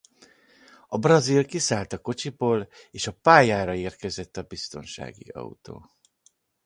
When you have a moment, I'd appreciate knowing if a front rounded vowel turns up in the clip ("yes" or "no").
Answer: no